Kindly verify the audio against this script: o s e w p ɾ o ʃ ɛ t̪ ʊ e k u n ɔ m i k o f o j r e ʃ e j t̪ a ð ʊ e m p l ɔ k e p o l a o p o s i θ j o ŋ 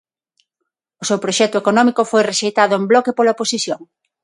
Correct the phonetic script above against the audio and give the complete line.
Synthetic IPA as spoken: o s e w p ɾ o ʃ ɛ t̪ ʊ e k o n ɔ m i k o f o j r e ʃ e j t̪ a ð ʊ e m b l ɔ k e p o l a o p o s i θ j o ŋ